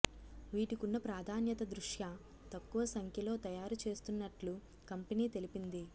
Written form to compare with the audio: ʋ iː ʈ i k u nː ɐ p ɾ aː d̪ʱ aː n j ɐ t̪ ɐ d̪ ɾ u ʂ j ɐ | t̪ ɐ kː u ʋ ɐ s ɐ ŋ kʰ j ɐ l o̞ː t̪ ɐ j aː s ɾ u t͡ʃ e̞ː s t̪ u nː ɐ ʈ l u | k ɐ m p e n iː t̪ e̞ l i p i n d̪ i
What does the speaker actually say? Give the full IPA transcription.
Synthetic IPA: ʋ iː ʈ i k u nː ɐ p ɾ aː d̪ʱ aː n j ɐ t̪ ɐ d̪ ɾ u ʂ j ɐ | t̪ ɐ kː u ʋ ɐ s ɐ ŋ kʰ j ɐ l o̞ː t̪ ɐ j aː ɾ u t͡ʃ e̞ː s t̪ u nː ɐ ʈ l u | k ɐ m p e n iː t̪ e̞ l i p i n d̪ i